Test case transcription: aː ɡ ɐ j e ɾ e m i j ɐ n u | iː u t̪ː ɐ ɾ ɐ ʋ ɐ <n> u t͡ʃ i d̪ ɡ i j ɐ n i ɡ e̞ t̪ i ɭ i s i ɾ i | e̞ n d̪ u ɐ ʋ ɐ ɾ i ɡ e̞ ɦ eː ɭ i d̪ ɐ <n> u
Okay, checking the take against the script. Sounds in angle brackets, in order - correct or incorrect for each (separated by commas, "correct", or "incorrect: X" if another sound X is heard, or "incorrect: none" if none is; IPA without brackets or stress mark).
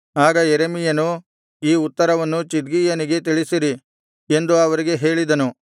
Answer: incorrect: nː, correct